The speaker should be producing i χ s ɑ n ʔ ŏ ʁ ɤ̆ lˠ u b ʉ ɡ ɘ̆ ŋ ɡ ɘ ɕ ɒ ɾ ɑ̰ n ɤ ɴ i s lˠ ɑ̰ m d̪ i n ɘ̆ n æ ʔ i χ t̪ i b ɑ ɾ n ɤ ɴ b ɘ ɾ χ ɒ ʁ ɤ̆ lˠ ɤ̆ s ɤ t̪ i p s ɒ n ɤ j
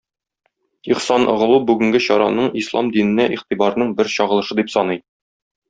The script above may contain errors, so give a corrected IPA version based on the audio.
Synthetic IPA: i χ s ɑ n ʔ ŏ ʁ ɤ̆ lˠ u b ʉ ɡ ɘ̆ ŋ ɡ ɘ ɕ ɒ ɾ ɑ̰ n ɤ ɴ i s lˠ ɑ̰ m d̪ i n ɘ̆ n æ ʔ i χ t̪ i b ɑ ɾ n ɤ ɴ b ɘ ɾ ɕ ɒ ʁ ɤ̆ lˠ ɤ̆ ʃ ɤ d̪ i p s ɒ n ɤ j